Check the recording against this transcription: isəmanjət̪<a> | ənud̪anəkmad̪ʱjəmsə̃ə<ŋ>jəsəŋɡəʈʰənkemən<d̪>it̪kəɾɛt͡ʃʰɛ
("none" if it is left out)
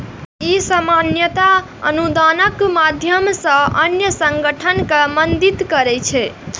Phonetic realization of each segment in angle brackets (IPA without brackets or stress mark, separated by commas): a, n, d̪